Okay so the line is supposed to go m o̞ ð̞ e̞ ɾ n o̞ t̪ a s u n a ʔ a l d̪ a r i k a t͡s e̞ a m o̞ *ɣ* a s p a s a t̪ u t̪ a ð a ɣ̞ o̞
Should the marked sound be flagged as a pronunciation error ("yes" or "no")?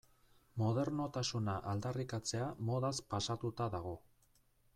yes